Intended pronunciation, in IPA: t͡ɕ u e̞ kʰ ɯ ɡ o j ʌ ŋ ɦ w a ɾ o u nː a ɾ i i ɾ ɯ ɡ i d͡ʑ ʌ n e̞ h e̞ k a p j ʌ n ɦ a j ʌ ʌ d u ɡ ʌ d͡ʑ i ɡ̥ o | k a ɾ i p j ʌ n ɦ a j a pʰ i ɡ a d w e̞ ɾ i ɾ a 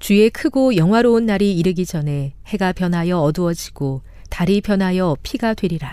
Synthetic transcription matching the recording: t͡ɕ u e̞ kʰ ɯ ɡ o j ʌ ŋ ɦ w a ɾ o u nː a ɾ i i ɾ ɯ ɡ i d͡ʑ ʌ n e̞ h e̞ ɡ a p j ʌ n ɦ a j ʌ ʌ d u ʌ d͡ʑ i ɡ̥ o | t a ɾ i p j ʌ n ɦ a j ʌ pʰ i ɡ a d w e̞ ɾ i ɾ a